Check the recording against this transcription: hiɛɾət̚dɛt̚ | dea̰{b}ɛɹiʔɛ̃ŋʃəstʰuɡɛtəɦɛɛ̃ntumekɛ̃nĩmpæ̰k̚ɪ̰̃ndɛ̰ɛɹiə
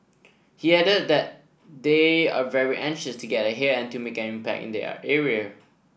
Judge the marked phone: incorrect: v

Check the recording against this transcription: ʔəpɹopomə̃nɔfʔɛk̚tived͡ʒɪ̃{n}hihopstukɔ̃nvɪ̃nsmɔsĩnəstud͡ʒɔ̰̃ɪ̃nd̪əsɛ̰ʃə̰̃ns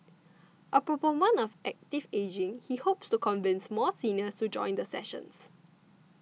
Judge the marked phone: incorrect: ŋ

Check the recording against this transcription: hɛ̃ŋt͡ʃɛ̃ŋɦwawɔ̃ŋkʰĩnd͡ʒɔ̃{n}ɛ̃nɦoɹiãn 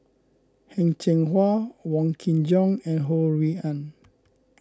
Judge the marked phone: incorrect: ŋ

